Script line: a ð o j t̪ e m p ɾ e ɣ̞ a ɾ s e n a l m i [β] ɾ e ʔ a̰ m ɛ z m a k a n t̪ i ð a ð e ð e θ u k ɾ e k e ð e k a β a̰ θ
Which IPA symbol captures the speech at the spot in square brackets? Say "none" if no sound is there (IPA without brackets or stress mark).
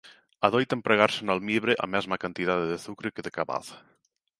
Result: β